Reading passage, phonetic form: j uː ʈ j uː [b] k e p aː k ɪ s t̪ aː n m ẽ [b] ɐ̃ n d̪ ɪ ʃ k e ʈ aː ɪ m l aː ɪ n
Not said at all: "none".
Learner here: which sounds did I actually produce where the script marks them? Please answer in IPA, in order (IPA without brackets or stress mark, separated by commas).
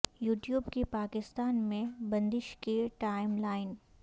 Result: b, b